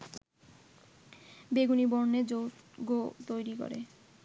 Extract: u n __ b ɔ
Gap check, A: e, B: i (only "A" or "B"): B